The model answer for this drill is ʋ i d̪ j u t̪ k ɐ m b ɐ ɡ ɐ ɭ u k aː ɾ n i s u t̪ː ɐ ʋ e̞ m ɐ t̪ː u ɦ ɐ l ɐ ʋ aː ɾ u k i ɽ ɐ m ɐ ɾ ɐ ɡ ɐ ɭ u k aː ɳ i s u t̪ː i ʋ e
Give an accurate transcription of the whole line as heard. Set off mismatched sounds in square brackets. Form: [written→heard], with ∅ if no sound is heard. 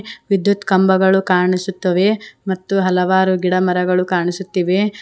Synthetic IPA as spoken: ʋ i d̪ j u t̪ k ɐ m b ɐ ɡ ɐ ɭ u k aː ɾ [n→ɳ] i s u t̪ː ɐ ʋ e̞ m ɐ t̪ː u ɦ ɐ l ɐ ʋ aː ɾ u [k→ɡ] i ɽ ɐ m ɐ ɾ ɐ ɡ ɐ ɭ u k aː ɳ i s u t̪ː i ʋ e